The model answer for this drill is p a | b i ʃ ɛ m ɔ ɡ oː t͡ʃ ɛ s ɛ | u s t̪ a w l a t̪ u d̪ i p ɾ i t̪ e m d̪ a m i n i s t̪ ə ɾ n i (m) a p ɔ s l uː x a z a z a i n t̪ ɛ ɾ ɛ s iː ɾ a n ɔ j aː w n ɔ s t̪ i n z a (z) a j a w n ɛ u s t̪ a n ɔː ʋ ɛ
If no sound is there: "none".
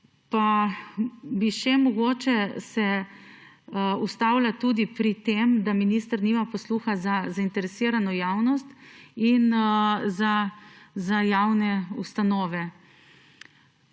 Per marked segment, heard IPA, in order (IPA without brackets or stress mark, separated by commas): m, z